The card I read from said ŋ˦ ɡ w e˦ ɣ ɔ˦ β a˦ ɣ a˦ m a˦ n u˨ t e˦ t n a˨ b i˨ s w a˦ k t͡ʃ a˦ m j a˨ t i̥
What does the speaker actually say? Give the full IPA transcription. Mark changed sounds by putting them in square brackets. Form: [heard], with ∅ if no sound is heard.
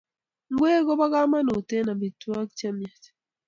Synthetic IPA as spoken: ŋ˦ ɡ w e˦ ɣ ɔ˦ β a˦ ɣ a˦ m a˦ n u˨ t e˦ [∅] n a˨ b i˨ [t] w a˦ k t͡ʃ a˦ m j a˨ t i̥